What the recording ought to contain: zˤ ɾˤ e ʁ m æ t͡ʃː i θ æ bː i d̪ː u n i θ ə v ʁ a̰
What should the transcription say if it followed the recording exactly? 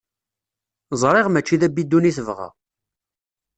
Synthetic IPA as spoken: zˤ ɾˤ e ʁ m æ t͡ʃː i ð æ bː i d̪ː u n i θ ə v ʁ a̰